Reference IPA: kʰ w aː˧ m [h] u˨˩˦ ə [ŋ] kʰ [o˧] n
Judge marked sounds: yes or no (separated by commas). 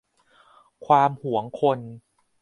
yes, yes, yes